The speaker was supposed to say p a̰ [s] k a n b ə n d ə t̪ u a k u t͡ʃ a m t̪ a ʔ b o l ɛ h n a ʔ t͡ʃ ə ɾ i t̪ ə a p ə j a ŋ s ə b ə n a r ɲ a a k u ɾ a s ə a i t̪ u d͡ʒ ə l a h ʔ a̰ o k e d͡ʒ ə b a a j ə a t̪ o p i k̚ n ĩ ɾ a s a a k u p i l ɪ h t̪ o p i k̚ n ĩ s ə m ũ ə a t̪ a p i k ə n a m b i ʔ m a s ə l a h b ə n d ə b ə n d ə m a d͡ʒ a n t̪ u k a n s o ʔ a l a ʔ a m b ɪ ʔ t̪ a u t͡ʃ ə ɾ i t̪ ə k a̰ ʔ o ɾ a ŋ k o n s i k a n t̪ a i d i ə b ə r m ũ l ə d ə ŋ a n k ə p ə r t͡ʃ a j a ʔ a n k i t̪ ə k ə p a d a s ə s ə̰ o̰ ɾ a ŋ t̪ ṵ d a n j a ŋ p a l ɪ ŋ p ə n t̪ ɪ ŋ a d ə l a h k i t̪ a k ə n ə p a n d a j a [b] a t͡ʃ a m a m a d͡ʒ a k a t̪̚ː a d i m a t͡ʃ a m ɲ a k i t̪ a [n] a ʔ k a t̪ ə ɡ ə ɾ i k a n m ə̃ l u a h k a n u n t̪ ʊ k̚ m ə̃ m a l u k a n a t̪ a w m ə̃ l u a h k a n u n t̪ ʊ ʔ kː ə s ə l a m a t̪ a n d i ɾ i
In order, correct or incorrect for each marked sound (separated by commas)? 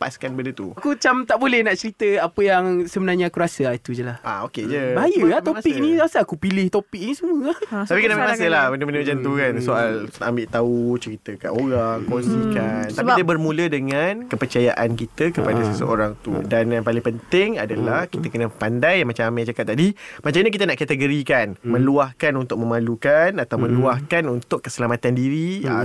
correct, incorrect, correct